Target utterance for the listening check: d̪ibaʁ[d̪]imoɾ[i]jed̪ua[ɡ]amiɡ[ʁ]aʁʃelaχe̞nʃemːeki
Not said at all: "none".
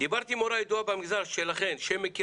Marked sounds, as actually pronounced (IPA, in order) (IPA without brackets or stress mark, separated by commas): t̪, a, b, z